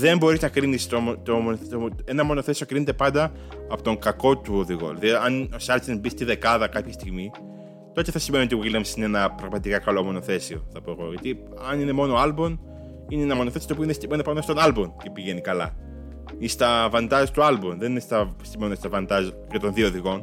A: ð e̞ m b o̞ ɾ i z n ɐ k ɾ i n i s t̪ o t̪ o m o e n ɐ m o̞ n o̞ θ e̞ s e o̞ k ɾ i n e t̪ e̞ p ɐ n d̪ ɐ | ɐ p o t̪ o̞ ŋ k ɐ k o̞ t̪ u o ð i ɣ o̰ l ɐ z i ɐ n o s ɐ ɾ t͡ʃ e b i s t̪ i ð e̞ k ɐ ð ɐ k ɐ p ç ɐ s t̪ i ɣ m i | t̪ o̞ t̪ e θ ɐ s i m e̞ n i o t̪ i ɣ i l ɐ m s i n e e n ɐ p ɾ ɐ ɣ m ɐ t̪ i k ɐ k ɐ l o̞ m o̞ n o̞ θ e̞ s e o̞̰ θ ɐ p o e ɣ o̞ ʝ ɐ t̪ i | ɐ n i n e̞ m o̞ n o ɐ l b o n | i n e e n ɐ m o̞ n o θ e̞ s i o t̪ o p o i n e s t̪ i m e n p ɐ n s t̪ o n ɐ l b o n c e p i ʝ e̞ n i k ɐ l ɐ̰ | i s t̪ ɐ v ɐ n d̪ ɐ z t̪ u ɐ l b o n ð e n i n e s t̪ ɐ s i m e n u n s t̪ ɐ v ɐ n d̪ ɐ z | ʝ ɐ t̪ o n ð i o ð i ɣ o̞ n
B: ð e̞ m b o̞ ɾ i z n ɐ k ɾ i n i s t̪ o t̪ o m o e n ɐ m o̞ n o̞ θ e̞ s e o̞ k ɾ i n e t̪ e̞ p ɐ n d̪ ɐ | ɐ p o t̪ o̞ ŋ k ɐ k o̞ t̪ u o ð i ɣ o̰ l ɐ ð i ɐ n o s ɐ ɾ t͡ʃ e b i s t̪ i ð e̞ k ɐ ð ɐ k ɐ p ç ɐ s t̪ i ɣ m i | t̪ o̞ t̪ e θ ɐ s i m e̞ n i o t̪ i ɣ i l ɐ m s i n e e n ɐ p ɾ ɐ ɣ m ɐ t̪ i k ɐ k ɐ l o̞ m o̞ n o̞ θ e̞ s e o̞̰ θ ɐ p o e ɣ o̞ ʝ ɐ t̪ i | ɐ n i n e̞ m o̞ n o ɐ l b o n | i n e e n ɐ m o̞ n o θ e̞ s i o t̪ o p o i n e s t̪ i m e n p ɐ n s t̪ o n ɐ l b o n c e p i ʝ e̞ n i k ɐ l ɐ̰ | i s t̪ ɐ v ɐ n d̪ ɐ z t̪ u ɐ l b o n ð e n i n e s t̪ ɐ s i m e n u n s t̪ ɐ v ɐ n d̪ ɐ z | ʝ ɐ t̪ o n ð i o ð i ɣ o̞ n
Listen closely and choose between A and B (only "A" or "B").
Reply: B